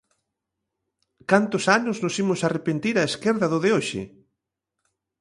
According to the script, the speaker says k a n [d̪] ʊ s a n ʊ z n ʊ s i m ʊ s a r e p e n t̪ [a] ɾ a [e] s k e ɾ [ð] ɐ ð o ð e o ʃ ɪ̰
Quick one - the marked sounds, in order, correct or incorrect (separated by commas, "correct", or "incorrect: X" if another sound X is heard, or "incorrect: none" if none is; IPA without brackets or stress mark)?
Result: incorrect: t̪, incorrect: i, correct, correct